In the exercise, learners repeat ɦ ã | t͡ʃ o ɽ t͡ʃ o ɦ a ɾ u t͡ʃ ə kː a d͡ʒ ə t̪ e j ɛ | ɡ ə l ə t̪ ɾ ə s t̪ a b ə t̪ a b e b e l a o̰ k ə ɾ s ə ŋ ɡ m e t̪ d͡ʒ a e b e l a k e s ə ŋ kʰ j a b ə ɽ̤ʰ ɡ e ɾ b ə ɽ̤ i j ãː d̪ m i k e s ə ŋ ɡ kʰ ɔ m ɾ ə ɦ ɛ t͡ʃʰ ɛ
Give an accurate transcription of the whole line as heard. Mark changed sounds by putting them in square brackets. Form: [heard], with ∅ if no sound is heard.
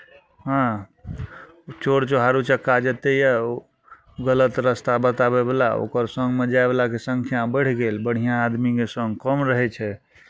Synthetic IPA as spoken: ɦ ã | t͡ʃ o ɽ t͡ʃ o ɦ a ɾ u t͡ʃ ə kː a d͡ʒ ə t̪ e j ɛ | ɡ ə l ə t̪ ɾ ə s t̪ a b ə t̪ a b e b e l a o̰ k ə ɾ s ə ŋ ɡ m e [∅] d͡ʒ a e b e l a k e s ə ŋ kʰ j a b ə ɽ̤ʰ ɡ e [l] b ə ɽ̤ i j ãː d̪ m i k e s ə ŋ ɡ [k] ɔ m ɾ ə ɦ ɛ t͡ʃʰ ɛ